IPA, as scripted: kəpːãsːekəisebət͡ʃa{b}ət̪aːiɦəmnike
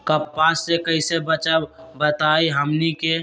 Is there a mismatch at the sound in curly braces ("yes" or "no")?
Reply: no